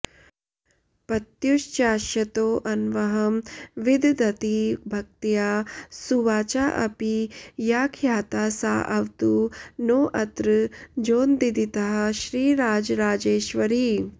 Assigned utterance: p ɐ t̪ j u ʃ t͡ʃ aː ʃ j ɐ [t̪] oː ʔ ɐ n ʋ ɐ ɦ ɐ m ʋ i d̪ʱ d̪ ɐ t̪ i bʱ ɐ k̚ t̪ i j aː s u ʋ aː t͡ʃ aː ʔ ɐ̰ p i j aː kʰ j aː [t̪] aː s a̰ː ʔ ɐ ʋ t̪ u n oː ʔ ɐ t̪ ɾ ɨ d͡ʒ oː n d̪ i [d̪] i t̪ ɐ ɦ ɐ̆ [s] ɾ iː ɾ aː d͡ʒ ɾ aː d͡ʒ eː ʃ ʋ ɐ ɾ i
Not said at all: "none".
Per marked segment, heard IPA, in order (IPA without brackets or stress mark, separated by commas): t̪, t̪, d̪, ʃ